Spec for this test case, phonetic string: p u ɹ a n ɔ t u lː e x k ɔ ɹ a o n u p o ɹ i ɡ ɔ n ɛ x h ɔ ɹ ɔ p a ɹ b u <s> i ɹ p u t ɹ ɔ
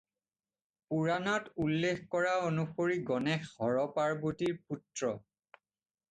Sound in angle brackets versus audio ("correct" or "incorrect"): incorrect